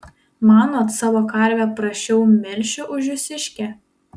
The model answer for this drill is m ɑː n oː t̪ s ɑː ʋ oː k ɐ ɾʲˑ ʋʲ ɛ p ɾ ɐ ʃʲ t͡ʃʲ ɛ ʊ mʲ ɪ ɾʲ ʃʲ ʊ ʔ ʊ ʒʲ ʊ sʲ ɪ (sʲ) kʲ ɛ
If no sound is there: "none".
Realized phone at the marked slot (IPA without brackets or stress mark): ʃʲ